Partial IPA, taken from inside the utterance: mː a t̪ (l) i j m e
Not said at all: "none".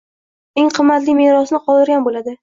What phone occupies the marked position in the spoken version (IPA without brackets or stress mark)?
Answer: l